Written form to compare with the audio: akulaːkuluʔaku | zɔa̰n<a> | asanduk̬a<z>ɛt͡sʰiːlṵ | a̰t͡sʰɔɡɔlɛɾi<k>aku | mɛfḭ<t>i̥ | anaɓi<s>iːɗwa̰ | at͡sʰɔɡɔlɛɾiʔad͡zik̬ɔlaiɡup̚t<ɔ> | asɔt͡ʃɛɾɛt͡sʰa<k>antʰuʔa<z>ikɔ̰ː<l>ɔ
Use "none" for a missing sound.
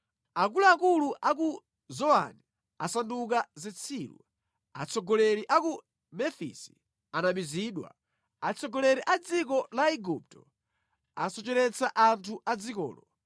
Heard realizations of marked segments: i, z, ʔ, s, z, ɔ, ʔ, d͡z, l

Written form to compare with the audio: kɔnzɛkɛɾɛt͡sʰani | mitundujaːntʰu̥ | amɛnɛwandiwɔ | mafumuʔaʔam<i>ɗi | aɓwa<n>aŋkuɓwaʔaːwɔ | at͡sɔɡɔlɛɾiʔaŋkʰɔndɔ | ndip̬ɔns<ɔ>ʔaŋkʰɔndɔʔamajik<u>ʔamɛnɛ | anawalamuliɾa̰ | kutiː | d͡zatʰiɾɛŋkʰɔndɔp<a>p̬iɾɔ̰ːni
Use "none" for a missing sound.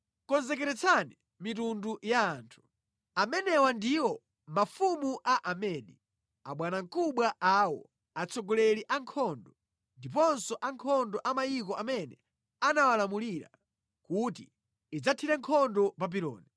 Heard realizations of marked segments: ɛ, n, ɔ, ɔ, a

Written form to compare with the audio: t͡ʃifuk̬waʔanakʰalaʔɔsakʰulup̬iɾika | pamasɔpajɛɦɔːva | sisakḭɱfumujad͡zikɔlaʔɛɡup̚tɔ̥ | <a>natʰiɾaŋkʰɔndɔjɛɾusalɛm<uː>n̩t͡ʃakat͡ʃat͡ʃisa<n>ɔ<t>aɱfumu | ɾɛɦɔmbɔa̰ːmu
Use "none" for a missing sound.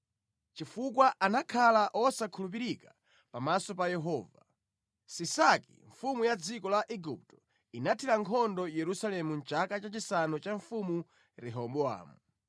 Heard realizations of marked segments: i, u, n, t͡ʃ

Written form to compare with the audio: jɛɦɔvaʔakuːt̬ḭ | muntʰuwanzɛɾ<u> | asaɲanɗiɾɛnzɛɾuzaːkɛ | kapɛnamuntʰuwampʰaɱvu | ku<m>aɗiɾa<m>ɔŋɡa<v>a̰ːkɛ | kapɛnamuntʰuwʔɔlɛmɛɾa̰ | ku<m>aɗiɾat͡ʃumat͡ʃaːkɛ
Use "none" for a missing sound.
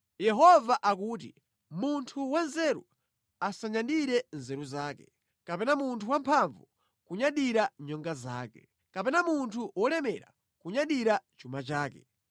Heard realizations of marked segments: u, ɲ, ɲ, z, ɲ

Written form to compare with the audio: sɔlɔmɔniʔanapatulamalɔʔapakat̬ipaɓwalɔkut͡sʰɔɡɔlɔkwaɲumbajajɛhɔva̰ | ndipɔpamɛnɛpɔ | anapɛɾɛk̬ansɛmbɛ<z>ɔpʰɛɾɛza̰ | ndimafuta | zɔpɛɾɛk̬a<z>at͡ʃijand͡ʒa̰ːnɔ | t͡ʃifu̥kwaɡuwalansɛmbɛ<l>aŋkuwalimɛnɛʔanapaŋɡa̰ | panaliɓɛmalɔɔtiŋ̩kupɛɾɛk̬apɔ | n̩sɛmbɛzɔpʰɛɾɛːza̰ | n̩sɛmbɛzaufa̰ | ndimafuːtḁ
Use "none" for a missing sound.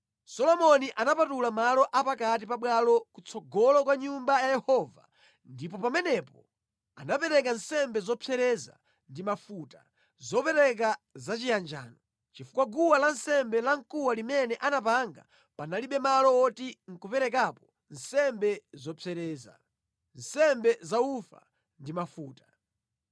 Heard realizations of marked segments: z, z, l

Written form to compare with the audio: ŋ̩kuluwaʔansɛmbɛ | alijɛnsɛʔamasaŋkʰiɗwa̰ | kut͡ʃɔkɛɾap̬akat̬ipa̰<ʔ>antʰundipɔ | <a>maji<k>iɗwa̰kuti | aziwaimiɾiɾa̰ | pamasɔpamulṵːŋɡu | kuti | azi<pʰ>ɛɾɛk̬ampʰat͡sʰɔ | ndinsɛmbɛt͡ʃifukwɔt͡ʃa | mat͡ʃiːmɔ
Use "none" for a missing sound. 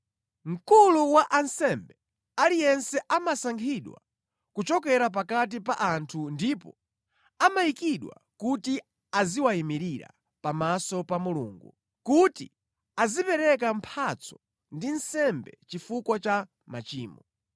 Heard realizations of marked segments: ʔ, a, k, p

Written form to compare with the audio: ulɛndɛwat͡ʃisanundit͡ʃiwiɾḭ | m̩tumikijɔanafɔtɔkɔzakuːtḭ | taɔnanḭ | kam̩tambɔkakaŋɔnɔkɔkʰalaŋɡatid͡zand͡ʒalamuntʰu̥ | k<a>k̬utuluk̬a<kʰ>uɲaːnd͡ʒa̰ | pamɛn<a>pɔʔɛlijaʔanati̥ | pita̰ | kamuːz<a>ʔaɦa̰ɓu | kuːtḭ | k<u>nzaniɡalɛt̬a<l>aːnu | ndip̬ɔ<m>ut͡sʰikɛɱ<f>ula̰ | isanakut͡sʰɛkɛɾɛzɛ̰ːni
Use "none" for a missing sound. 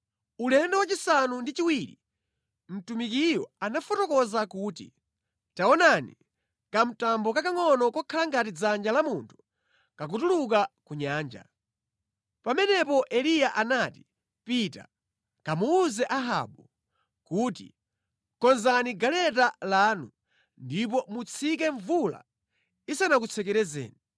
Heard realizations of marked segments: a, k, ɛ, ɛ, ɔ, l, m, v

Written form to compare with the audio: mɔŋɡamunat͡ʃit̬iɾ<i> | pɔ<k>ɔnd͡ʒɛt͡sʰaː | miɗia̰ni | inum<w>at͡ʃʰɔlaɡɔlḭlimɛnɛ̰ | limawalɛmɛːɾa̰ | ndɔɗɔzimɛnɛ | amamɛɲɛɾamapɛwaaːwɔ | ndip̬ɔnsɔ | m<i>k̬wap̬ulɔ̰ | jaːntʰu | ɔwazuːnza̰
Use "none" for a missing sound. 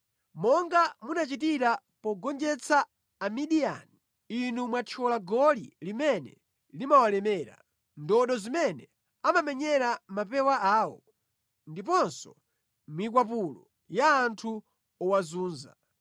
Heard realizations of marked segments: a, ɡ, w, i

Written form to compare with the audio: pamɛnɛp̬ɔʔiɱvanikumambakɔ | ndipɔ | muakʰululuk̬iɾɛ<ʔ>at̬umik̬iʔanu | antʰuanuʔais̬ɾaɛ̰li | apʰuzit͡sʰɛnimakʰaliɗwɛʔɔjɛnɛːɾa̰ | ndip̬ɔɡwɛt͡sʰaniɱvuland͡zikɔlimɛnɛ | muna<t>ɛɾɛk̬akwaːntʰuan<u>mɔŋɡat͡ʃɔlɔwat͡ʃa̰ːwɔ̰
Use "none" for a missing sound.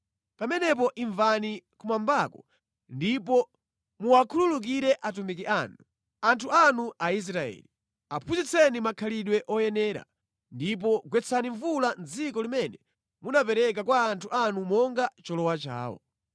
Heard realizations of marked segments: ʔ, p, u

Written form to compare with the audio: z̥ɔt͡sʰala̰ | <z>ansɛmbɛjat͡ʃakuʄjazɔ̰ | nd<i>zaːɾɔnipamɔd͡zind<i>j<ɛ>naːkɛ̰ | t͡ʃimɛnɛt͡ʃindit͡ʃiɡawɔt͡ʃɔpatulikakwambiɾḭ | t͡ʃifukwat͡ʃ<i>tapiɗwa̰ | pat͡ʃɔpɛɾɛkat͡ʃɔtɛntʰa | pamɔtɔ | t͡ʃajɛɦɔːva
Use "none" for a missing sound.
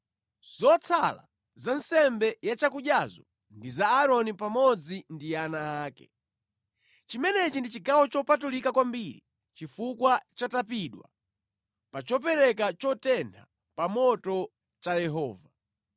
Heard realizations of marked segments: z, i, i, a, a

